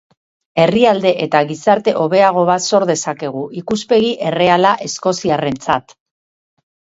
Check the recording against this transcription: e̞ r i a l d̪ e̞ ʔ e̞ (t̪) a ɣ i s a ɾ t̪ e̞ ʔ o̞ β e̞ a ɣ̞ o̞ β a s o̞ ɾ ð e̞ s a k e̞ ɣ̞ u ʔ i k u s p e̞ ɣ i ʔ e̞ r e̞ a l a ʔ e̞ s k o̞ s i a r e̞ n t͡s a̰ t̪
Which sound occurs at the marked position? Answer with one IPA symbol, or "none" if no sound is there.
t̪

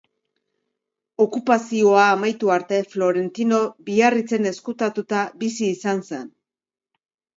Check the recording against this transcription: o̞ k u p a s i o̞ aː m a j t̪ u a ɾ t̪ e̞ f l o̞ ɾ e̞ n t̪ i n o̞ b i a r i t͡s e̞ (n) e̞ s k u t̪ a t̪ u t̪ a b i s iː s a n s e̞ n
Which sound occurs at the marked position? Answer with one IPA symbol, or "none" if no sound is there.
n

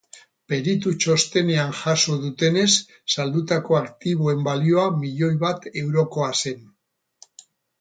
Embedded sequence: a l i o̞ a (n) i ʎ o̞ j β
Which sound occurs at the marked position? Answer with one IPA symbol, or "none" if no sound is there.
m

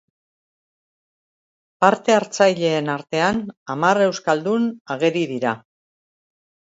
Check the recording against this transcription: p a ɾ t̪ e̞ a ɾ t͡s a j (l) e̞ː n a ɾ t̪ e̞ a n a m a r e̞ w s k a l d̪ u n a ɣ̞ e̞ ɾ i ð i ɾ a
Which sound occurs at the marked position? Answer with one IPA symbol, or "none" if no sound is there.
ʎ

